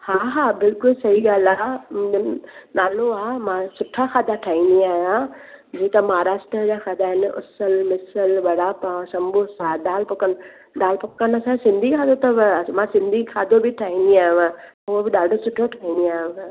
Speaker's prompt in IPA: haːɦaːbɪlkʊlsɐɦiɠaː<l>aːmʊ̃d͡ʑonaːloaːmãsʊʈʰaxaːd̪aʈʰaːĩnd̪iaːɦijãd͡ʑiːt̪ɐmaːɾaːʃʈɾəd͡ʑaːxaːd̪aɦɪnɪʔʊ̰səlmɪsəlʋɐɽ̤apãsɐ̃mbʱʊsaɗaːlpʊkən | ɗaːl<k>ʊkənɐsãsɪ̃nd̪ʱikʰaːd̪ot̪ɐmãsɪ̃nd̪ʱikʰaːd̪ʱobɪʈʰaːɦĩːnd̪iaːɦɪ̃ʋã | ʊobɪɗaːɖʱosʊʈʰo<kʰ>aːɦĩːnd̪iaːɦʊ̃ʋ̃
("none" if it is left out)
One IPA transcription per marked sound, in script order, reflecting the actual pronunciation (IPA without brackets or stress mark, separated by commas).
l, p, ʈʰ